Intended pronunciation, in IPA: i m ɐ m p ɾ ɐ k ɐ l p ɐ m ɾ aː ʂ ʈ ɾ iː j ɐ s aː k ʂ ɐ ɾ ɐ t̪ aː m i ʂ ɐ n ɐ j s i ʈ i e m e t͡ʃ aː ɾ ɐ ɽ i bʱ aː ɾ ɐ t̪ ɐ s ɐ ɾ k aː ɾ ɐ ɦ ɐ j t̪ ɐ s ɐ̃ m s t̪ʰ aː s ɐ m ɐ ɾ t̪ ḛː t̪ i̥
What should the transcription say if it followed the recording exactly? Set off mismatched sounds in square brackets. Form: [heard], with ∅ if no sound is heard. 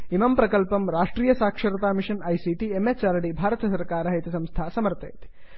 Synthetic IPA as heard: i m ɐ m p ɾ ɐ k ɐ l p ɐ m ɾ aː ʂ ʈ ɾ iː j ɐ s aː k ʂ ɐ ɾ ɐ t̪ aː m i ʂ ɐ n ɐ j s i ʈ i e m e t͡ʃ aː ɾ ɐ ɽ i bʱ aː ɾ ɐ t̪ ɐ s ɐ ɾ k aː ɾ ɐ ɦ ɐ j t̪ ɐ s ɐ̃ m s t̪ʰ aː s ɐ m ɐ ɾ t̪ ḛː t̪ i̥